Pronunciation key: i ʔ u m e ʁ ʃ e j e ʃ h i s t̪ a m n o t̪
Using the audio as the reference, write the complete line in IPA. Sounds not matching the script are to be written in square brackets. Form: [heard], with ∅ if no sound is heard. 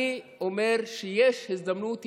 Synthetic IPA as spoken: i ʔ [o] m e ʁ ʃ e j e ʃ h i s [d̪] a m n [u] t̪